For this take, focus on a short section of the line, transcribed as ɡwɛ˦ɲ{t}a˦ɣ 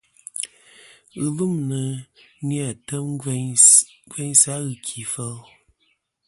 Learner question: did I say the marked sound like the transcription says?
no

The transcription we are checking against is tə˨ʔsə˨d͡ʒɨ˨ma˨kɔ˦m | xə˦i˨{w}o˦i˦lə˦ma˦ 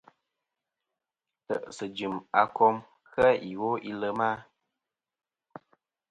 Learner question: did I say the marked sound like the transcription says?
yes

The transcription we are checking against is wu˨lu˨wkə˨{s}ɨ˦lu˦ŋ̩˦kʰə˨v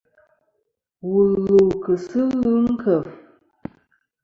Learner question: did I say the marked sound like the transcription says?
yes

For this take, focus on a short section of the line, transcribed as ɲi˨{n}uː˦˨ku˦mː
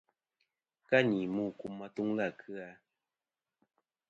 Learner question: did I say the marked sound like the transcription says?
no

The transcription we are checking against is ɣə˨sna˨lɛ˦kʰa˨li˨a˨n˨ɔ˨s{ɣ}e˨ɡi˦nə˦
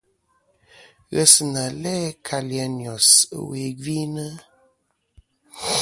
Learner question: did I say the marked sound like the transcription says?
no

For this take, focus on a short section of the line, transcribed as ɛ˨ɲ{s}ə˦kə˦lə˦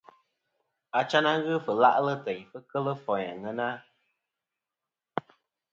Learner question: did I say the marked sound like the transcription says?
no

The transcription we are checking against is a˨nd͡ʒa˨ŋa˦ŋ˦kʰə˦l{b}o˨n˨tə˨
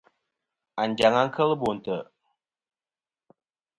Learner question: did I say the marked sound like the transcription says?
yes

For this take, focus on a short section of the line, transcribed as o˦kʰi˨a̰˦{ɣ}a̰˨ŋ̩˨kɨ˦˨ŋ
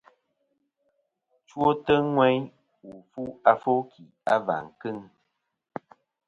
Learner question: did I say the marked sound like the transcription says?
no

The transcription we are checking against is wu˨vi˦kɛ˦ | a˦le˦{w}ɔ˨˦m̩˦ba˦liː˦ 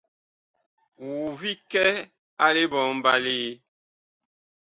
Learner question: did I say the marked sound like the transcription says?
no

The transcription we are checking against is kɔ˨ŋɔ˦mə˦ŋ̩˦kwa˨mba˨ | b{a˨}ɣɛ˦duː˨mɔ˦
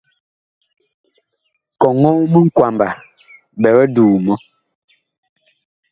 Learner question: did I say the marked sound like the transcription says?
no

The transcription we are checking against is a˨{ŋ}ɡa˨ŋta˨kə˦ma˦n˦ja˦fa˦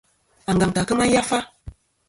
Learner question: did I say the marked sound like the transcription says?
yes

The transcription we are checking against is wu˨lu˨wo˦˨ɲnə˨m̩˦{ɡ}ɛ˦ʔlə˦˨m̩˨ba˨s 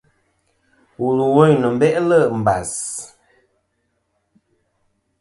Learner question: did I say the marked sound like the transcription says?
no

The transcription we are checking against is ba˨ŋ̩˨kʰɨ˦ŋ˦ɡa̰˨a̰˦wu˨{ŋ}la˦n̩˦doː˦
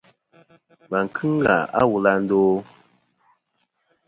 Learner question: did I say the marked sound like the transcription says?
no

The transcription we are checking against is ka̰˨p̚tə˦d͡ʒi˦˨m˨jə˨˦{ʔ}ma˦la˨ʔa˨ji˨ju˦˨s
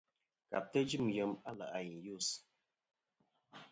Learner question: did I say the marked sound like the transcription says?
no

